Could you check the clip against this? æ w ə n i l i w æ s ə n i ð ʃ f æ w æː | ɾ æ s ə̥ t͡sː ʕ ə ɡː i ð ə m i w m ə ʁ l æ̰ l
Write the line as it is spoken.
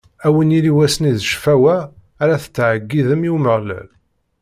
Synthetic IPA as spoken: æ w ə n i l i w æ s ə n i ð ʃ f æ w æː | ɾ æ θ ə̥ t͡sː ʕ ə ɡː i ð ə m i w m ə ʁ l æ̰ l